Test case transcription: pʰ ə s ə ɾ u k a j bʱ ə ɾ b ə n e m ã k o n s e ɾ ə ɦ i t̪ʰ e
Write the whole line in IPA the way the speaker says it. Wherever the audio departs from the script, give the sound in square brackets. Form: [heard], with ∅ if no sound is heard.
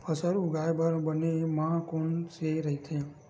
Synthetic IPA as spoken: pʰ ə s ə ɾ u [ɡ] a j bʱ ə ɾ b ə n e m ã k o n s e ɾ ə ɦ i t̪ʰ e